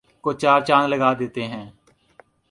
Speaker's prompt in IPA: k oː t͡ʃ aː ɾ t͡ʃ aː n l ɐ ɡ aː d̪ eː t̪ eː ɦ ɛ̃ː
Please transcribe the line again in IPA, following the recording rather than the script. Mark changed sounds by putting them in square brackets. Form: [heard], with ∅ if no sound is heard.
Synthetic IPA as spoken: k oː t͡ʃ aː ɾ t͡ʃ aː n l [ə] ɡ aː d̪ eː t̪ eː ɦ ɛ̃ː